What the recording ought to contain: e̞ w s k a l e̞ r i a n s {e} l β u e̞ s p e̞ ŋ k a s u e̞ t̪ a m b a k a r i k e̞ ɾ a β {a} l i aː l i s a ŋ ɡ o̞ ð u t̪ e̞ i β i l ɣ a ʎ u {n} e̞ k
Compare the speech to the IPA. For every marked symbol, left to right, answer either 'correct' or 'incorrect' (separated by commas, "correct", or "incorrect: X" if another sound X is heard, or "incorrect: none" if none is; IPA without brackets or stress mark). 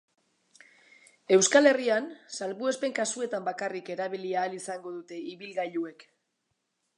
incorrect: a, incorrect: i, incorrect: none